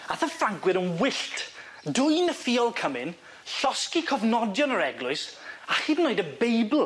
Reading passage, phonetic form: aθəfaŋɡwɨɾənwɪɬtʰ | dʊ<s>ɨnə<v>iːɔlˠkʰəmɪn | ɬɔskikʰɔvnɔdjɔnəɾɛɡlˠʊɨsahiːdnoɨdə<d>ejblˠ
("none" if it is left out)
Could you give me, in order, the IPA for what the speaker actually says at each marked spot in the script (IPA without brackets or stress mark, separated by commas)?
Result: none, f, b